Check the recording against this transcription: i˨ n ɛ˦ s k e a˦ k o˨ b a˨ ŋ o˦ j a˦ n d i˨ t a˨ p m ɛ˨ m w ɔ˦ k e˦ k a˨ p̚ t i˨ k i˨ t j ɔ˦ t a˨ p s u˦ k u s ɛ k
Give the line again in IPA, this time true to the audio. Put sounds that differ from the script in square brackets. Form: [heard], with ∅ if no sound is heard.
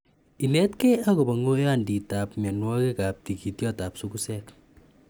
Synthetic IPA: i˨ n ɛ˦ [t] k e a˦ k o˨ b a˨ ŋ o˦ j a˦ n d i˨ t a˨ p m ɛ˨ [n] w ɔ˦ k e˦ k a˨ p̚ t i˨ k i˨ t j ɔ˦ t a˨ p s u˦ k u s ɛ k